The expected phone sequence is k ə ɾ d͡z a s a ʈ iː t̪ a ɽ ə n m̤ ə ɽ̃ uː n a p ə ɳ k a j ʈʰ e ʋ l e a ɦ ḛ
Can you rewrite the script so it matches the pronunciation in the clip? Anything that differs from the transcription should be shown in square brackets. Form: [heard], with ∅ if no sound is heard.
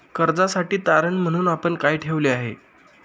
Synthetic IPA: k ə ɾ d͡z a s a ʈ iː t̪ a [ɾ] ə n m̤ ə ɽ̃ uː n a p ə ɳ k a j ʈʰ e ʋ l e a ɦ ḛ